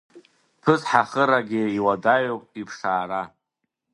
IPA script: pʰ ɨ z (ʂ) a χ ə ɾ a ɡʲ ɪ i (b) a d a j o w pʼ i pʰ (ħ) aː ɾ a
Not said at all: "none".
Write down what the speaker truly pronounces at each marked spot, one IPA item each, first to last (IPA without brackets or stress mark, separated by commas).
ħ, w, ʂ